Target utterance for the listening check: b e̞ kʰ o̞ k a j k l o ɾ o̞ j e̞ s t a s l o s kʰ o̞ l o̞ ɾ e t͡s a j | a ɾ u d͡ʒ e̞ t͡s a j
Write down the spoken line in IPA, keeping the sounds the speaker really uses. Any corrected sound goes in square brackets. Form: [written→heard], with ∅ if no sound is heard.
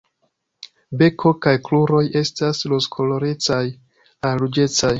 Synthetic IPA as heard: b e̞ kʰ o̞ k a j k l [o→u] ɾ o̞ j e̞ s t a s l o s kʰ o̞ l o̞ ɾ e t͡s a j | a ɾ u d͡ʒ e̞ t͡s a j